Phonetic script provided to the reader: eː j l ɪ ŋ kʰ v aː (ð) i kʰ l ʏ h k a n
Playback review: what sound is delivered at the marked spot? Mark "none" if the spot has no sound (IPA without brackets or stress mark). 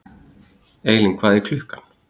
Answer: ð